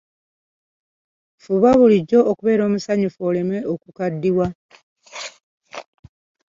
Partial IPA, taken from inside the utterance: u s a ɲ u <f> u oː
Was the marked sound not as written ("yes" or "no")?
no